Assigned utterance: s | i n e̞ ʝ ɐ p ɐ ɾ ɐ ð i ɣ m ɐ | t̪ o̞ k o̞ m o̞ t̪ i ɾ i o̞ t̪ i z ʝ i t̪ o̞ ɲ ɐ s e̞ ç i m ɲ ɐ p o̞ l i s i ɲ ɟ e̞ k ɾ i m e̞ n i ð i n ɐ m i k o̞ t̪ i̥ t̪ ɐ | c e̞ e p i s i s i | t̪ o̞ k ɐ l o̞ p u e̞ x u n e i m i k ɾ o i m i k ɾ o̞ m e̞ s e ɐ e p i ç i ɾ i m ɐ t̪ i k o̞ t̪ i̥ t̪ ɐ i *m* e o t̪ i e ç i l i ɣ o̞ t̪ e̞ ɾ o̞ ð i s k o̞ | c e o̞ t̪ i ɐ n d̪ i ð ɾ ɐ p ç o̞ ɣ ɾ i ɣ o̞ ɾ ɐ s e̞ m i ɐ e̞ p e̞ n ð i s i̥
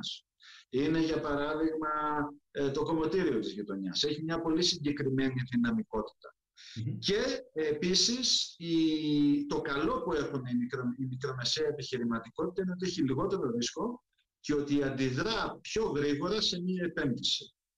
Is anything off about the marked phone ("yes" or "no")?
yes